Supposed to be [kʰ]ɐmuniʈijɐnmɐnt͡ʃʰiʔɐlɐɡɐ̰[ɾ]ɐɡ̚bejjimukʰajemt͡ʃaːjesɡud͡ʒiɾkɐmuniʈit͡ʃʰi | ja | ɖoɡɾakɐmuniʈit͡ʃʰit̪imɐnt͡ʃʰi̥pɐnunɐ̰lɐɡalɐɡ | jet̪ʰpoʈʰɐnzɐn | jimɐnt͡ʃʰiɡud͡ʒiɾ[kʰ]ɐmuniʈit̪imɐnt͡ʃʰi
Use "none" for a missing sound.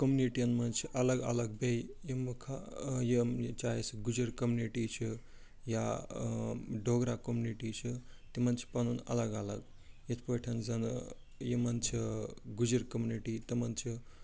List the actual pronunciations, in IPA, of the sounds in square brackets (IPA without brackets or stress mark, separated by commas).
k, l, k